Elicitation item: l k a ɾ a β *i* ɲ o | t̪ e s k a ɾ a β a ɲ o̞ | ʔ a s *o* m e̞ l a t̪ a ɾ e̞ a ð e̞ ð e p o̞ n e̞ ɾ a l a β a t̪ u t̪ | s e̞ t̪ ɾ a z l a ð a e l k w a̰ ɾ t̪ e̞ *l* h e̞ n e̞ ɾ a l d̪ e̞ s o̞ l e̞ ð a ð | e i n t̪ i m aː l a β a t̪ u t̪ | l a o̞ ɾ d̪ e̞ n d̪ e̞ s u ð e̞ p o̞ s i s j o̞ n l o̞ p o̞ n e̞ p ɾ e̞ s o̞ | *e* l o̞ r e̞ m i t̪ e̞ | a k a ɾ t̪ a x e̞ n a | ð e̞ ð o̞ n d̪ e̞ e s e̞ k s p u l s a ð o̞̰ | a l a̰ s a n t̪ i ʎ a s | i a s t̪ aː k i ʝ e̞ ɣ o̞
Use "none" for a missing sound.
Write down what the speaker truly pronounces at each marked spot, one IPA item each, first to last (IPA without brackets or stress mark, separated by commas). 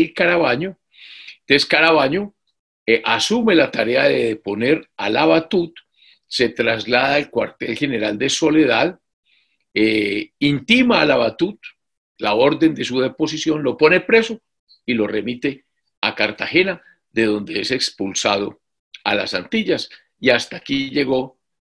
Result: a, u, l, i